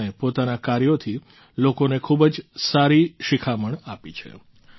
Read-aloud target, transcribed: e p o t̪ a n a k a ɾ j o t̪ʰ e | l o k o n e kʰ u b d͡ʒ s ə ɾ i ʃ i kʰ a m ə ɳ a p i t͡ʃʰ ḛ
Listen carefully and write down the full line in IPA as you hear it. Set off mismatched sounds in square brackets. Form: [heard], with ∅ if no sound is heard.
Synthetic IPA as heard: e p o t̪ a n a k a ɾ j o t̪ʰ [i] | l o k o n e kʰ u b d͡ʒ s [a] ɾ i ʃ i kʰ a m ə ɳ a p i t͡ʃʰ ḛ